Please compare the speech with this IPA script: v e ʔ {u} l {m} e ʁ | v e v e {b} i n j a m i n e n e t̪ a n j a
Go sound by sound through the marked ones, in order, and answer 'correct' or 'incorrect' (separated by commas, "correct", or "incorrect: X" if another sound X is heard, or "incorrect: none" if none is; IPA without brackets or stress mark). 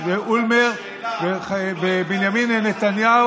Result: correct, correct, correct